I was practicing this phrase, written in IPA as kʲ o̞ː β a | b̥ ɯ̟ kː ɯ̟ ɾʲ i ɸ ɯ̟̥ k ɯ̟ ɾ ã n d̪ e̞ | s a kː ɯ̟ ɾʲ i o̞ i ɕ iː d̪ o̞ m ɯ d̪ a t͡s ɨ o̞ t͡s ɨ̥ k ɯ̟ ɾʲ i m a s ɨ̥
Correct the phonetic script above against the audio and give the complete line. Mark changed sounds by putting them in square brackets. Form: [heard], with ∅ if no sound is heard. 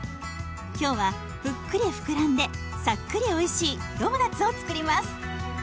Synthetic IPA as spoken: kʲ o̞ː β a | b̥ ɯ̟ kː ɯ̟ ɾʲ i ɸ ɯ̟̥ k ɯ̟ ɾ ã n d̪ e̞ | s a kː ɯ̟ ɾʲ i o̞ i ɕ iː d̪ o̞ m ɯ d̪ a t͡s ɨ o̞ t͡s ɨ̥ k ɯ̟ ɾʲ i m a s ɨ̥